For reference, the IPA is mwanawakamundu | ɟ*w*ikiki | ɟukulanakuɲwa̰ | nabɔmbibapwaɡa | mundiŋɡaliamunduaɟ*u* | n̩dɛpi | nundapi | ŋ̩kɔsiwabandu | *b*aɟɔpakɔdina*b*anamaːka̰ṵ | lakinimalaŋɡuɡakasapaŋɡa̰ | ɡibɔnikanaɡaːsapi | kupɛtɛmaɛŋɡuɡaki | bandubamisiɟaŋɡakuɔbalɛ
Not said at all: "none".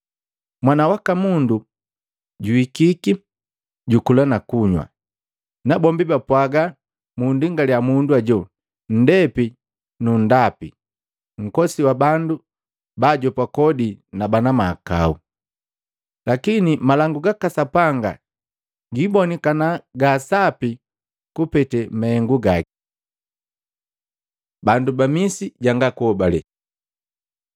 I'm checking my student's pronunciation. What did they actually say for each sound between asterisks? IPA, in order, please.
u, ɔ, b, b

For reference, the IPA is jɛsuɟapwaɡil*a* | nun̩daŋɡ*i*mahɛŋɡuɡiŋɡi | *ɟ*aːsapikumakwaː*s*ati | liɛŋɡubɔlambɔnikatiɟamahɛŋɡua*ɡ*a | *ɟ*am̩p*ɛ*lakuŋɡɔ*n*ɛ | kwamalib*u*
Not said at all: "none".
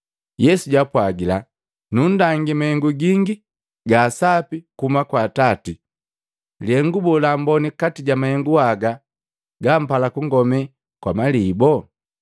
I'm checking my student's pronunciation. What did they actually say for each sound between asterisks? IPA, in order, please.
a, i, ɡ, t, ɡ, ɡ, a, m, ɔ

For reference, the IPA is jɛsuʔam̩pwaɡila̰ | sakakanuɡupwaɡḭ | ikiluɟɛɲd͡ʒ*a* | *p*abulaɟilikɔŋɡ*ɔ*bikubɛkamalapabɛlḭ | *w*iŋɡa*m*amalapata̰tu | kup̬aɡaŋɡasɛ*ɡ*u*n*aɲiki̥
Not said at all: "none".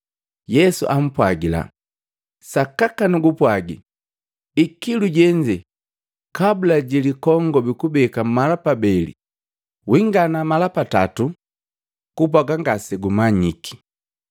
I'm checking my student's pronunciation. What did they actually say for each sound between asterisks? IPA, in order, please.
ɛ, k, ɔ, w, n, ɡ, m

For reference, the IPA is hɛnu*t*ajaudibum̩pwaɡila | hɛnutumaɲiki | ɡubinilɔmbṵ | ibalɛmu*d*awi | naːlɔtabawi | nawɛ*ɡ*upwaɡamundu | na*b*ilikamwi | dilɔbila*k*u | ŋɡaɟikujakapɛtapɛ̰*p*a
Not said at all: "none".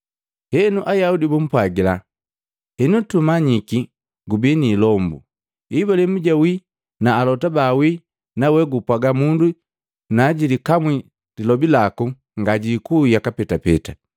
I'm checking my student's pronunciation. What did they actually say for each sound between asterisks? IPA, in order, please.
ʔ, ɟ, ɡ, ɟ, k, t

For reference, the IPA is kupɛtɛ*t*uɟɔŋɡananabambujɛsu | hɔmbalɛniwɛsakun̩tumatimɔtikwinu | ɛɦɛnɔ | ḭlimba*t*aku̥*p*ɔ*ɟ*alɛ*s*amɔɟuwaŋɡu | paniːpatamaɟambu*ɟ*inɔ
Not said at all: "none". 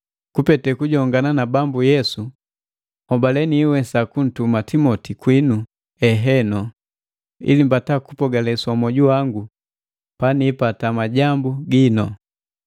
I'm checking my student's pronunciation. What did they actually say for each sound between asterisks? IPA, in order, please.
k, t, p, ɡ, s, ɡ

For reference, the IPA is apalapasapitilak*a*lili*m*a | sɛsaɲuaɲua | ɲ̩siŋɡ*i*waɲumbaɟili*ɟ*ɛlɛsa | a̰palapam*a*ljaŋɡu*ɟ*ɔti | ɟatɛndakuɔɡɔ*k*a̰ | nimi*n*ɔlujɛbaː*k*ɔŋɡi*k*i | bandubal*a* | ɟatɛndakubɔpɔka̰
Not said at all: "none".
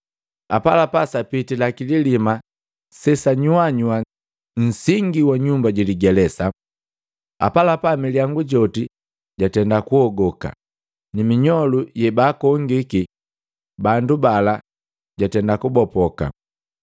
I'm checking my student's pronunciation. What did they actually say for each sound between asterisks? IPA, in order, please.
i, m, i, ɡ, i, ɟ, k, ɲ, k, k, a

